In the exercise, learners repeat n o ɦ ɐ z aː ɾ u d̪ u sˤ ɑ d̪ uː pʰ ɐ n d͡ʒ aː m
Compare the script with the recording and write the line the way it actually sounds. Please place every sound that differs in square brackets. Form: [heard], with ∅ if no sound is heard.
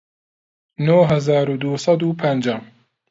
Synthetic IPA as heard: n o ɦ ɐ z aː ɾ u d̪ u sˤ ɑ d̪ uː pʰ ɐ n d͡ʒ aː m